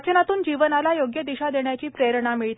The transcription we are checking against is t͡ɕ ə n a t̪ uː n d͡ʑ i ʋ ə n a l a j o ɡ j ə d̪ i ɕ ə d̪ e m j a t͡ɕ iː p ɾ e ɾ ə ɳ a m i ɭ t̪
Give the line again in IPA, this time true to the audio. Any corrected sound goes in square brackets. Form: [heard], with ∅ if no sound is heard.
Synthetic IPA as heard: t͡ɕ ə n a t̪ uː n d͡ʑ i ʋ ə n a l a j o ɡ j ə d̪ i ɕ [a] d̪ e [ɳ] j a t͡ɕ iː p ɾ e ɾ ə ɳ a m i ɭ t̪